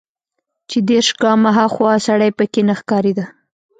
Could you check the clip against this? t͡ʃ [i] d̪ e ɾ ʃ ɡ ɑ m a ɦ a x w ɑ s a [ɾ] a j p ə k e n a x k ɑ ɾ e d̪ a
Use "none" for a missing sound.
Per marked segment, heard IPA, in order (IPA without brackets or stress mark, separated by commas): e, ɽ